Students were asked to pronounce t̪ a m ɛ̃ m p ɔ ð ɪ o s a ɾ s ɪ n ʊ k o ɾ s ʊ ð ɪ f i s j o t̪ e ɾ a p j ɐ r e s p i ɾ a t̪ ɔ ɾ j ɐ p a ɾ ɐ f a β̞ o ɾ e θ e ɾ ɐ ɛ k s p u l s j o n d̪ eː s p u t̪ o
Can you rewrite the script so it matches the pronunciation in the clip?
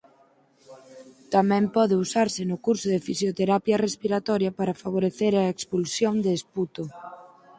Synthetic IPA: t̪ a m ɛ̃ m p ɔ ð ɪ u s a ɾ s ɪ n ʊ k u ɾ s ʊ ð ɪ f i s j o t̪ e ɾ a p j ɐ r e s p i ɾ a t̪ ɔ ɾ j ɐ p a ɾ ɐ f a β̞ o ɾ e θ e ɾ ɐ e k s p u l s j o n d̪ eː s p u t̪ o

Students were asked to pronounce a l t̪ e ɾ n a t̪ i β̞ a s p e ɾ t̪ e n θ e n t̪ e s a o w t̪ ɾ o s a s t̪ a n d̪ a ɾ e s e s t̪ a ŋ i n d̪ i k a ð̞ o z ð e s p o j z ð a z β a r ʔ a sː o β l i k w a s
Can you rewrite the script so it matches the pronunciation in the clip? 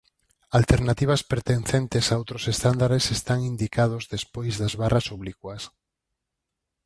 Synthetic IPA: a l t̪ e ɾ n a t̪ i β̞ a s p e ɾ t̪ e n θ e n t̪ e s a o w t̪ ɾ o s e s t̪ a n d̪ a ɾ e s e s t̪ a ŋ i n d̪ i k a ð̞ o z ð e s p o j z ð a z β a r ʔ a s o β l i k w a s

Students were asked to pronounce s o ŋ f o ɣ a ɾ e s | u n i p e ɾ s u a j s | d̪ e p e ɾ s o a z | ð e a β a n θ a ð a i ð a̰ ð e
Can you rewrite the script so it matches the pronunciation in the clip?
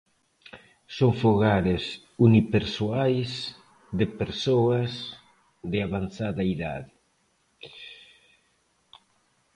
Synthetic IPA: s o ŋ f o ɣ a ɾ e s | u n i p e ɾ s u a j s | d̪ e p e ɾ s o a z | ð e a β a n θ a ð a i ð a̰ ð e

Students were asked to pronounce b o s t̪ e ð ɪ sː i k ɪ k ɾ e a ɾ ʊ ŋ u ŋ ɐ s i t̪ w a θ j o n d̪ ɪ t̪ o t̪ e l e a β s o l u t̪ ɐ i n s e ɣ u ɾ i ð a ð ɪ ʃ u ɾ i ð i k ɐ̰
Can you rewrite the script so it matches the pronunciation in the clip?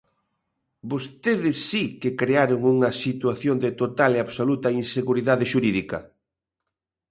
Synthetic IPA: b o s t̪ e ð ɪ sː i k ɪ k ɾ e a ɾ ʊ ŋ u ŋ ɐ s i t̪ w a θ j o n d̪ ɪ t̪ o t̪ a l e a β s o l u t̪ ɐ i n s e ɣ u ɾ i ð a ð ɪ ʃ u ɾ i ð i k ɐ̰

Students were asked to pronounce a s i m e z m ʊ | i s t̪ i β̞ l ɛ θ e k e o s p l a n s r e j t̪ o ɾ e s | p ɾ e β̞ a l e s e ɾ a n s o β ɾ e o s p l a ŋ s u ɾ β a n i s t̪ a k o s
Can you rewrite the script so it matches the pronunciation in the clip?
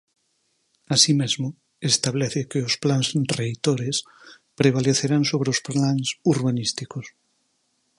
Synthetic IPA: a s i m e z m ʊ | e s t̪ a β̞ l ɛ θ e k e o s p l a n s r e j t̪ o ɾ e s | p ɾ e β̞ a l e θ e ɾ a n s o β ɾ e o s p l a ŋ s u ɾ β a n i s t̪ i k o s

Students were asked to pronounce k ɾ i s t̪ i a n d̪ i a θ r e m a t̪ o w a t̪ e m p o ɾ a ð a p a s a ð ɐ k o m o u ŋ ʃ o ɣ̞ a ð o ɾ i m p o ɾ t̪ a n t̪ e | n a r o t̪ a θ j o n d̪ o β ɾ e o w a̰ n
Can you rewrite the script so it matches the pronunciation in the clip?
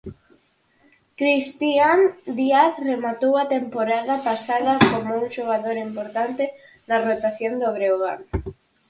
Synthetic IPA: k ɾ i s t̪ i a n d̪ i a θ r e m a t̪ o w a t̪ e m p o ɾ a ð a p a s a ð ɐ k o m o u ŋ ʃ o ɣ̞ a ð o ɾ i m p o ɾ t̪ a n t̪ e | n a r o t̪ a θ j o n d̪ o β ɾ e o ɣ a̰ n

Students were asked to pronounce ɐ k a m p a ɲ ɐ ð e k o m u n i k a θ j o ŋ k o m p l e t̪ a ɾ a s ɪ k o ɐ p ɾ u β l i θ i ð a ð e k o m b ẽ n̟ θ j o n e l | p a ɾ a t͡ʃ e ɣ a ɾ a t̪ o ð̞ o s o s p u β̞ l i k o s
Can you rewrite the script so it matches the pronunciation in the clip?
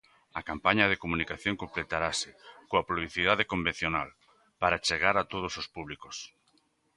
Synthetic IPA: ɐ k a m p a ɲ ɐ ð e k o m u n i k a θ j o ŋ k o m p l e t̪ a ɾ a s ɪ k o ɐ p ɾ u β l i θ i ð a ð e k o m b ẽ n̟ θ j o n a l | p a ɾ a t͡ʃ e ɣ a ɾ a t̪ o ð̞ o s o s p u β̞ l i k o s

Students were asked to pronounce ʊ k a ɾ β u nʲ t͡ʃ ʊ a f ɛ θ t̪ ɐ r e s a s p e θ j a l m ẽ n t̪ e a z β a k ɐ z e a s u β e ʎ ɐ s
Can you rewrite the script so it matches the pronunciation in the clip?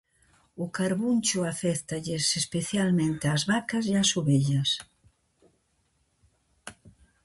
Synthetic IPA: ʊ k a ɾ β u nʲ t͡ʃ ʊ a f ɛ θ t̪ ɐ ʎ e s e s p e θ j a l m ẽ n t̪ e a z β a k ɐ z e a s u β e ʎ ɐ s

